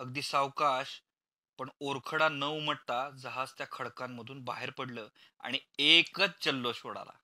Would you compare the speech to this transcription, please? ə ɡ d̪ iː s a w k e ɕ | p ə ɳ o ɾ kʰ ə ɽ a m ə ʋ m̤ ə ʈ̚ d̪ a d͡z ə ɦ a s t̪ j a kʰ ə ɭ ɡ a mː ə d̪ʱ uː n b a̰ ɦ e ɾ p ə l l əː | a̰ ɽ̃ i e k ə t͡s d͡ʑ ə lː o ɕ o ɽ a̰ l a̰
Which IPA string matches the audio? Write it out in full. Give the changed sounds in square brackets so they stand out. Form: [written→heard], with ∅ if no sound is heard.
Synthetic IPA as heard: ə ɡ d̪ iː s a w k [e→a] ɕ | p ə ɳ o ɾ kʰ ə ɽ a [m→n] ə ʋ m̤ ə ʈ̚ [d̪→t̪] a d͡z ə ɦ a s t̪ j a kʰ ə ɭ [ɡ→k] a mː ə d̪ʱ uː n b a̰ ɦ e ɾ p ə [l→ɽ] l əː | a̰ ɽ̃ i e k ə t͡s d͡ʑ ə lː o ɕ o ɽ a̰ l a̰